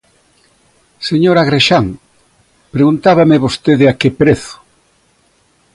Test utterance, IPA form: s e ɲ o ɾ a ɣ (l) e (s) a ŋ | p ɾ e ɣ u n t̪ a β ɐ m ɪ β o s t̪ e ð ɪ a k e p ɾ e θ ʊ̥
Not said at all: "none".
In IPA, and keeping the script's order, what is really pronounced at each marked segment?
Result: ɾ, ʃ

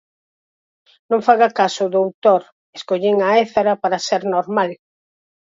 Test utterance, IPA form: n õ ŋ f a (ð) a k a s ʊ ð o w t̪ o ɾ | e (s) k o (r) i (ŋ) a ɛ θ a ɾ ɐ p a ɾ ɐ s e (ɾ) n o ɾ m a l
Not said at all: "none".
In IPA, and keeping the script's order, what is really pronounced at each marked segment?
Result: ɣ, s, ʎ, ŋ, ɾ

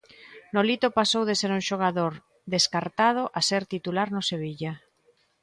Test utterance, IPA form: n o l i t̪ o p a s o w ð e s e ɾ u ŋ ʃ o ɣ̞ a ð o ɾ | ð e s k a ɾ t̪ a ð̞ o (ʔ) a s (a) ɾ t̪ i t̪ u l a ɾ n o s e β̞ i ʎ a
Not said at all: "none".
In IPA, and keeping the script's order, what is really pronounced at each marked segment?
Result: ʔ, e

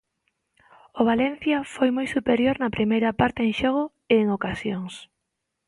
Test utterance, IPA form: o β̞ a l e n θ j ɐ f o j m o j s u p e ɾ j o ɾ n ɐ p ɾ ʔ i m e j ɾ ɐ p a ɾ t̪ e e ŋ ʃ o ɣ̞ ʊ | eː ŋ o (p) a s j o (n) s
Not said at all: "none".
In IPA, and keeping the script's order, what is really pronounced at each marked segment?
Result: k, ŋ

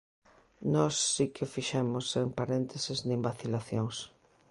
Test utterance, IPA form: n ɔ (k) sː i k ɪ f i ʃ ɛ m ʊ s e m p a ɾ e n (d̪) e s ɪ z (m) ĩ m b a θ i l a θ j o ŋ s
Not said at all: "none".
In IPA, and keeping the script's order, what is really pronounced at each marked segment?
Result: none, t̪, n

